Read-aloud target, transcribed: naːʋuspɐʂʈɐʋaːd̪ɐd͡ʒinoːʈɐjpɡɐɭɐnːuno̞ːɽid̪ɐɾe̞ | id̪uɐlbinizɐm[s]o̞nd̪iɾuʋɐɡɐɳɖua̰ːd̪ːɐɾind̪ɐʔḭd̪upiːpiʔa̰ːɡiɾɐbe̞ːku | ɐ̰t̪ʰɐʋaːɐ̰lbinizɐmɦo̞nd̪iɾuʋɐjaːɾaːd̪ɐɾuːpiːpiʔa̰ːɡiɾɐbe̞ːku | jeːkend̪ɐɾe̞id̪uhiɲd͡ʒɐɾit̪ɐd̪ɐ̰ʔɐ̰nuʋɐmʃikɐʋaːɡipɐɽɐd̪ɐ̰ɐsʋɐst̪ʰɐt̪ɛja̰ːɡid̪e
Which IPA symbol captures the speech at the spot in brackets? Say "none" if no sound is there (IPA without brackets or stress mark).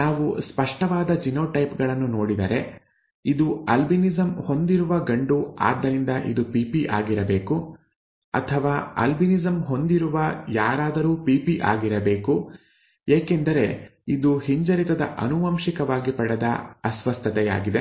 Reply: h